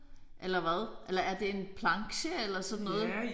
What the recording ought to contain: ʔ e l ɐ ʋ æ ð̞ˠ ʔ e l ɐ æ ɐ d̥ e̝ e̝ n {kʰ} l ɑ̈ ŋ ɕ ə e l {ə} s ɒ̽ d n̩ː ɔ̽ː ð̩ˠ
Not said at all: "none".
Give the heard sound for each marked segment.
pʰ, ɐ

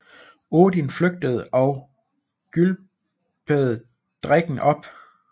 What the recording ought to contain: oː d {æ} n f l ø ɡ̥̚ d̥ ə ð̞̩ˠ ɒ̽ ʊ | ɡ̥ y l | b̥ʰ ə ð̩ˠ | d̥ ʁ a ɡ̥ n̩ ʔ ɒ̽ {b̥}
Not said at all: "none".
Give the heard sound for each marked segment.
i, b̥

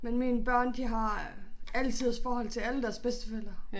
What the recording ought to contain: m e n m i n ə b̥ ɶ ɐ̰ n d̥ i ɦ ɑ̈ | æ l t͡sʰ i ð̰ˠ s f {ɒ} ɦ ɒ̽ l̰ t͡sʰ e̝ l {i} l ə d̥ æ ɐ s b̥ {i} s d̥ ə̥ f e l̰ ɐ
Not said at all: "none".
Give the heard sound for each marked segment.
ɒː, æ, e

